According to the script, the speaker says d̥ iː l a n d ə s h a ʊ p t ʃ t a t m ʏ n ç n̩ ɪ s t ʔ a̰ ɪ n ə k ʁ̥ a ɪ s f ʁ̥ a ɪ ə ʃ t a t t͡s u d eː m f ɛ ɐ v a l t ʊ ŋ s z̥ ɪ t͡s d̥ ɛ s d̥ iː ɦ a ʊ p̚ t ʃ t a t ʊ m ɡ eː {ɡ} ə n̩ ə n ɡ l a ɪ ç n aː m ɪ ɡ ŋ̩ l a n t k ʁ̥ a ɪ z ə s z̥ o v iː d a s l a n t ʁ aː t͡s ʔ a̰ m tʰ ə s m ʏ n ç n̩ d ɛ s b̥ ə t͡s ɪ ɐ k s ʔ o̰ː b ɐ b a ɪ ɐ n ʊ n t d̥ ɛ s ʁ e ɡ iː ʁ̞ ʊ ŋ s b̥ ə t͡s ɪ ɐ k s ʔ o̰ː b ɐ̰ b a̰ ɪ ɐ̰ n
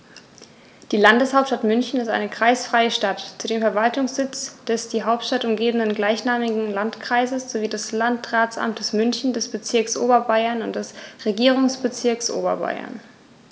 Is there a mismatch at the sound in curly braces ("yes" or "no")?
yes